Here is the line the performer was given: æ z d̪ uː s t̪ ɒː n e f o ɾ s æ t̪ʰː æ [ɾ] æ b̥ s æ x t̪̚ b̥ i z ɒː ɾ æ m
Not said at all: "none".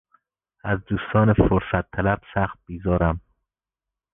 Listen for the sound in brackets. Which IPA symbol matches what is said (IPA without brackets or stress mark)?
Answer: l